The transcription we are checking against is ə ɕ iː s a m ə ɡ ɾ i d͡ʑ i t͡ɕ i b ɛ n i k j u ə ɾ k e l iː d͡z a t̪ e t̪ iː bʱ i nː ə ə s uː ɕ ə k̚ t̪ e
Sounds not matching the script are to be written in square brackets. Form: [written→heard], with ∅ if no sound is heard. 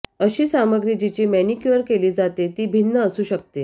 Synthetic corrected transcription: ə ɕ iː s a m ə ɡ ɾ i d͡ʑ i t͡ɕ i [b→m] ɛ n i k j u ə ɾ k e l iː d͡z a t̪ e t̪ iː bʱ i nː ə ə s uː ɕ ə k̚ t̪ e